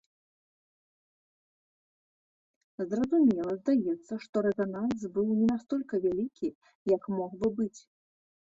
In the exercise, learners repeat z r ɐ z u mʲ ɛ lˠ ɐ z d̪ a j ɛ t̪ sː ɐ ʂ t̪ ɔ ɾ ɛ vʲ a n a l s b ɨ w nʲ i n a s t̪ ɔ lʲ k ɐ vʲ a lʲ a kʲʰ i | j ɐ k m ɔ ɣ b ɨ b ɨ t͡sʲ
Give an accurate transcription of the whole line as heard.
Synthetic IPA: z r ɐ z u mʲ ɛ lˠ ɐ z d̪ a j ɛ t̪ sː ɐ ʂ t̪ ɔ ɾ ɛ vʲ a n a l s b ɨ w nʲ ɛ n a s t̪ ɔ lʲ k ɐ vʲ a lʲ i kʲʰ i | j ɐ k m ɔ ɣ b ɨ b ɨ t͡sʲ